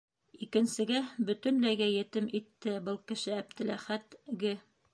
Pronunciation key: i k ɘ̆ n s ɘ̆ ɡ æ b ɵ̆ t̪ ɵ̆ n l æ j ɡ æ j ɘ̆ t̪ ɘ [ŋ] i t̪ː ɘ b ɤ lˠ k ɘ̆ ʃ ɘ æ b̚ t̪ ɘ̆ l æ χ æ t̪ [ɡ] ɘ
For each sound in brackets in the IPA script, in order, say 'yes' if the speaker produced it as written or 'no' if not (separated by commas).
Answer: no, yes